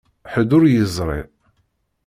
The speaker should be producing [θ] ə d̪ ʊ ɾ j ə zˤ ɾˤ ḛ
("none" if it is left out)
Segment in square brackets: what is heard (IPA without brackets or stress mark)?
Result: ħ